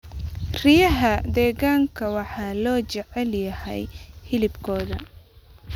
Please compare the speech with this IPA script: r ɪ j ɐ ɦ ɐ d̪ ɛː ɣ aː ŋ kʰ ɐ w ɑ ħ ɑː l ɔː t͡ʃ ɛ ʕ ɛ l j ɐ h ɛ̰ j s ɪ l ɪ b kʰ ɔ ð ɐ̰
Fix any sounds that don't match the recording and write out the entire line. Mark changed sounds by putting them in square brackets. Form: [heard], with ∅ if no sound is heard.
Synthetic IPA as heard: r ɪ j ɐ ɦ ɐ d̪ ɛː ɣ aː ŋ kʰ ɐ w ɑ ħ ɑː l ɔː t͡ʃ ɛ ʕ ɛ l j ɐ h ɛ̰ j [h] ɪ l ɪ b kʰ [ɔː] ð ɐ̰